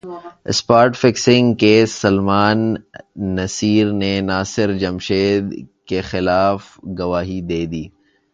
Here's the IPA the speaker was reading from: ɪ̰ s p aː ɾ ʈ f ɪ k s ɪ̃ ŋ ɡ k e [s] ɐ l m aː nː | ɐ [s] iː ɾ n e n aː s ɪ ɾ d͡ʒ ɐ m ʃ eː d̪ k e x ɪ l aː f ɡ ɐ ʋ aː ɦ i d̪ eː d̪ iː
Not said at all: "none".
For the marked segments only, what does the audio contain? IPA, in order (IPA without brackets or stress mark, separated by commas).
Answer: s, s